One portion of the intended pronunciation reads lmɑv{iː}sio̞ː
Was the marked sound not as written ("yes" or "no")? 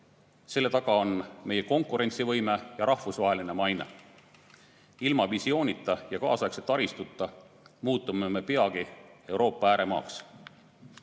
yes